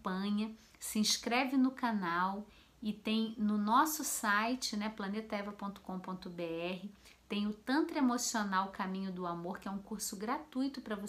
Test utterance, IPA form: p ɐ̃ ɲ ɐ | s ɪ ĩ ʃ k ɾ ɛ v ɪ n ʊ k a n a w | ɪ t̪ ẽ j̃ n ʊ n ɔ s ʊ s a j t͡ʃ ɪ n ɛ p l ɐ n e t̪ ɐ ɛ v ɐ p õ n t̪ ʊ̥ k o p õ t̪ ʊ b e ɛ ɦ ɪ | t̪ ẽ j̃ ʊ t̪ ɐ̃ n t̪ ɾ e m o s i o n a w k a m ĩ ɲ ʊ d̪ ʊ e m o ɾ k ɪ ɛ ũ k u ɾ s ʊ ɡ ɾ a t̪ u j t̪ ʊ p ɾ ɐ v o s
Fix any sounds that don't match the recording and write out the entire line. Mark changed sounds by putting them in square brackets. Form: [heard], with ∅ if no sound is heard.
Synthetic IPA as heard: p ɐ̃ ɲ ɐ | s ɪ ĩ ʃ k ɾ ɛ v ɪ n ʊ k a n a w | ɪ t̪ ẽ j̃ n ʊ n ɔ s ʊ s a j t͡ʃ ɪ n ɛ p l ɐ n e t̪ ɐ ɛ v ɐ p õ n t̪ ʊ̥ k [õ] p õ t̪ ʊ b e ɛ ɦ ɪ | t̪ ẽ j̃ ʊ t̪ ɐ̃ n t̪ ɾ e m o s i o n a w k a m ĩ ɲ ʊ d̪ ʊ [a] m o ɾ k ɪ ɛ ũ k u ɾ s ʊ ɡ ɾ a t̪ u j t̪ ʊ p ɾ ɐ v o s